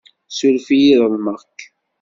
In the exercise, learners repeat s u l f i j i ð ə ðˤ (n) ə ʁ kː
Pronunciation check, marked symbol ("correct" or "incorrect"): incorrect